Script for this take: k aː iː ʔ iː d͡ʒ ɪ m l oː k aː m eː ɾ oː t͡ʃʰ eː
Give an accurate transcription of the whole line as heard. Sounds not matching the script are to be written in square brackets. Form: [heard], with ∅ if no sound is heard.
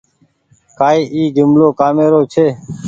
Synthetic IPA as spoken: k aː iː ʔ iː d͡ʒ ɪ m l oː k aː m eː ɾ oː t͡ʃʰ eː